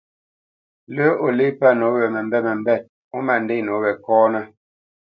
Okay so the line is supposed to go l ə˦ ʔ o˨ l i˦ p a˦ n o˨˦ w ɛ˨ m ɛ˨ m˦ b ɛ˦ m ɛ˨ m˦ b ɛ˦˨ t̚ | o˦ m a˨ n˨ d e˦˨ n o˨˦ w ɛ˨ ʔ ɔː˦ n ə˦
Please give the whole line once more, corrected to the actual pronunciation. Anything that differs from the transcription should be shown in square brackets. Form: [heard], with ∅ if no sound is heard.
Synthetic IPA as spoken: l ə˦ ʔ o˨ l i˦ p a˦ n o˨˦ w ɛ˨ m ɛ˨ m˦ b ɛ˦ m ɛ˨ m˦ b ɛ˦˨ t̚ | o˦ m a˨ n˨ d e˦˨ n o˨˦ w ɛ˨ [k] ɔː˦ n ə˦